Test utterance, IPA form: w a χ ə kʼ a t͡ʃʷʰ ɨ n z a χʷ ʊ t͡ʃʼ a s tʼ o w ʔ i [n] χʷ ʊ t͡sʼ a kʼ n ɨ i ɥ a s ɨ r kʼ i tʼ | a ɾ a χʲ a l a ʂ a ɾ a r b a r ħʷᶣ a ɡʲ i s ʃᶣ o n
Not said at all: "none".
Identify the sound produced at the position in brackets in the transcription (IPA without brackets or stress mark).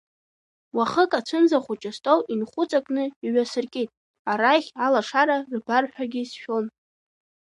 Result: n